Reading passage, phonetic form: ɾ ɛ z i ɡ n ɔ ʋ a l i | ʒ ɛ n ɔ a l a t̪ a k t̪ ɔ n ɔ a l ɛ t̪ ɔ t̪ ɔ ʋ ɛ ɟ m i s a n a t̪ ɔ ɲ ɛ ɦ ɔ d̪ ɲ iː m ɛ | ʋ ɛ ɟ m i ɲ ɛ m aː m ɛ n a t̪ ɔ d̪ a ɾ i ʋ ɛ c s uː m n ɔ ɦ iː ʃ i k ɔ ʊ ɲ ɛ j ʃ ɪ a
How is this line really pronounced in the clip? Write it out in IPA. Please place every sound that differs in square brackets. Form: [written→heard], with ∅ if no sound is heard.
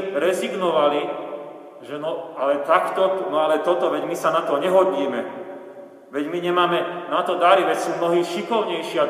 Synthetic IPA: ɾ ɛ z i ɡ n ɔ ʋ a l i | ʒ ɛ n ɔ a l [a→ɛ] t̪ a k t̪ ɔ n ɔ a l ɛ t̪ ɔ t̪ ɔ ʋ ɛ ɟ m i s a n a t̪ ɔ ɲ ɛ ɦ ɔ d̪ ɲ iː m ɛ | ʋ ɛ ɟ m i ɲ ɛ m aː m ɛ n a t̪ ɔ d̪ a ɾ i ʋ ɛ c s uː m n ɔ ɦ iː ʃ i k ɔ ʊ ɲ ɛ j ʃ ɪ a